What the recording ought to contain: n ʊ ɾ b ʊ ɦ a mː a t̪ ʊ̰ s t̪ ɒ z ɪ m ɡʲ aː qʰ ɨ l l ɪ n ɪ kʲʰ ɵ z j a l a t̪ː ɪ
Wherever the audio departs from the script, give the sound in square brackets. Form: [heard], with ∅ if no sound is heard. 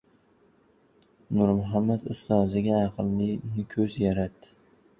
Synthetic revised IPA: n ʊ ɾ [m] ʊ ɦ a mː a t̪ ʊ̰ s t̪ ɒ z ɪ [∅] ɡʲ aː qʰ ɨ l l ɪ n ɪ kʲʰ ɵ z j a [ɾ] a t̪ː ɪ